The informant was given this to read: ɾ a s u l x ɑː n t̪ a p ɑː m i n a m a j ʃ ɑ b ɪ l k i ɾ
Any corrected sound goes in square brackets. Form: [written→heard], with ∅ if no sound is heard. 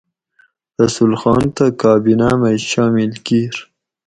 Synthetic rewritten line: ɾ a s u l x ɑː n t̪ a [p→k] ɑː [m→b] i n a m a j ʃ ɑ [b→m] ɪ l k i ɾ